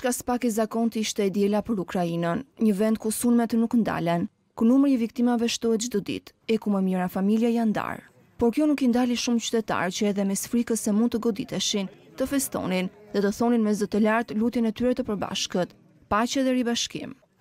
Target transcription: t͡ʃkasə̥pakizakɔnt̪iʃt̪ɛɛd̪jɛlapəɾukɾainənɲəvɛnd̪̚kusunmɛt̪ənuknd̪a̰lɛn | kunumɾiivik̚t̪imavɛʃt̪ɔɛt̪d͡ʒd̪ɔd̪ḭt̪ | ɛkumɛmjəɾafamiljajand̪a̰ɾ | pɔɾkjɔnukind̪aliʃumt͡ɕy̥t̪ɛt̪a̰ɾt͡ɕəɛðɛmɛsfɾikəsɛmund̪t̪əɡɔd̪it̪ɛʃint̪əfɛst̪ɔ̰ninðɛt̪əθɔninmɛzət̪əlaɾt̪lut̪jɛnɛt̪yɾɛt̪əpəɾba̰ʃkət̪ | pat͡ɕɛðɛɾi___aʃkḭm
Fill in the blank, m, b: b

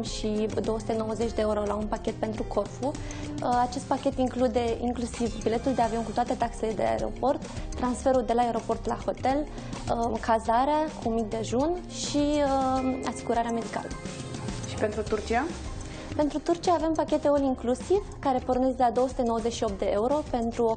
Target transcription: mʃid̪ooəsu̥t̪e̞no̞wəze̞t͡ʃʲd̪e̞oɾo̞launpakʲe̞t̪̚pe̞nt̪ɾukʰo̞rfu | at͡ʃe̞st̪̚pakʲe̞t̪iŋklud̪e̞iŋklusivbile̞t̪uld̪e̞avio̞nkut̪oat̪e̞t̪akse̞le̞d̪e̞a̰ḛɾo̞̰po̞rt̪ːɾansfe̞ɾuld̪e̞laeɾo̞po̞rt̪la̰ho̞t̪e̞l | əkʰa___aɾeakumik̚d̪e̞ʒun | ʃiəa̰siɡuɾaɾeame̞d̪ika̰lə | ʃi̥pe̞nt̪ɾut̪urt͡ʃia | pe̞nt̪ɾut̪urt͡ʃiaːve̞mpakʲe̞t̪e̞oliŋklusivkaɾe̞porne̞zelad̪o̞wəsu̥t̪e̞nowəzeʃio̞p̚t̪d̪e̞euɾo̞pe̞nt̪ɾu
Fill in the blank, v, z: z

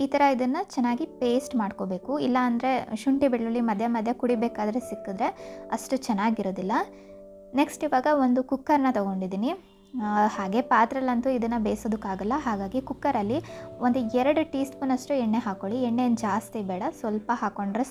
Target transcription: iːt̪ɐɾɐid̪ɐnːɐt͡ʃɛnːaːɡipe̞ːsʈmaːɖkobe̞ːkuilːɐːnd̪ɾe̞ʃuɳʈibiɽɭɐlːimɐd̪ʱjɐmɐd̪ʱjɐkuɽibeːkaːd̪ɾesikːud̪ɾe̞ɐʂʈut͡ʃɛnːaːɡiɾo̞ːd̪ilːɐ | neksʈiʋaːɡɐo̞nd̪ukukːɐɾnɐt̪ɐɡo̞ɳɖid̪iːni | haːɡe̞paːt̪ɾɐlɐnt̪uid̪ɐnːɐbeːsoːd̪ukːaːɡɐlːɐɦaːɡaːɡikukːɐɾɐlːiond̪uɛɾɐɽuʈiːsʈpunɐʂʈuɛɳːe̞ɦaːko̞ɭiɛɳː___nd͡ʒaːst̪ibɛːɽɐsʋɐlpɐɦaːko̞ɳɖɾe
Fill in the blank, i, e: e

